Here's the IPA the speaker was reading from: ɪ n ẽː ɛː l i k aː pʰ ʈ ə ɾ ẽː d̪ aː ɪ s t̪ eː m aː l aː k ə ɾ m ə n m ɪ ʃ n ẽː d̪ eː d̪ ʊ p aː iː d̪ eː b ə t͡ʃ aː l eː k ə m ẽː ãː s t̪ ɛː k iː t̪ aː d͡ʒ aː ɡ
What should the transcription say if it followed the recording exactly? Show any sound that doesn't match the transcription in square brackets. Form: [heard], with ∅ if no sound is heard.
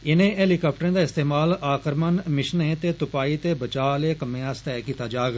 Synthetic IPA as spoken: ɪ n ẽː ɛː l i k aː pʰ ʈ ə ɾ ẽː d̪ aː ɪ s t̪ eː m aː l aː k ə ɾ m ə n m ɪ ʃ n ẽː [t̪] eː [t̪] ʊ p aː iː [t̪] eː b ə t͡ʃ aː l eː k ə m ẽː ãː s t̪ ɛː k iː t̪ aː d͡ʒ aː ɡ